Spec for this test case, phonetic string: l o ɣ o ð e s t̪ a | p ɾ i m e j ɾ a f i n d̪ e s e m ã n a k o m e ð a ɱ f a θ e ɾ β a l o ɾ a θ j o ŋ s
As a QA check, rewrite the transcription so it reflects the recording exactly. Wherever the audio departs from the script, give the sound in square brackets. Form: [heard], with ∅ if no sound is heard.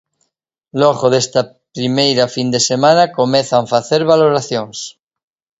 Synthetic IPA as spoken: l o ɣ o ð e s t̪ a | p ɾ i m e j ɾ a f i n d̪ e s e m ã n a k o m e [θ] a ɱ f a θ e ɾ β a l o ɾ a θ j o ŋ s